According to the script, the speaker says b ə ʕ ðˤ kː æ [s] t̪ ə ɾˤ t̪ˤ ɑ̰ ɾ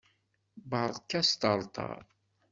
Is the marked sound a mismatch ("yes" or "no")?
no